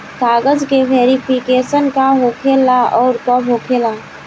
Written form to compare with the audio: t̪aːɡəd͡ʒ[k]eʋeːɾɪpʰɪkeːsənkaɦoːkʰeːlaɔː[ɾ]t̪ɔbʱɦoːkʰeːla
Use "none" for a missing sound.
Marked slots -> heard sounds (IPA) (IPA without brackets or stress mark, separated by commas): k, ɾ